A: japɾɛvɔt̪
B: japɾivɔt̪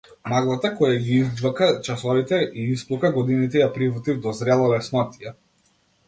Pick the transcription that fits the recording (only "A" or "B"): B